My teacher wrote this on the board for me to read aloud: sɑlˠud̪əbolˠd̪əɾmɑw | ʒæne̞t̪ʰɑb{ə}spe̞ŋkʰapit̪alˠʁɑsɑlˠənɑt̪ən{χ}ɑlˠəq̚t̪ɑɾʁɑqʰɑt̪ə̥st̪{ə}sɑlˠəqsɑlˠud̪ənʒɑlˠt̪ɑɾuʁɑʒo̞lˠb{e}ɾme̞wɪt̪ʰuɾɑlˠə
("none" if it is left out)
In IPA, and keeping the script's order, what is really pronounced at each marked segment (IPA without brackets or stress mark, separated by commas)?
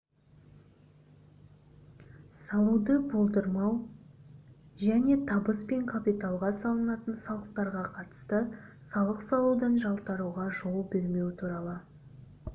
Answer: ə, s, ə, e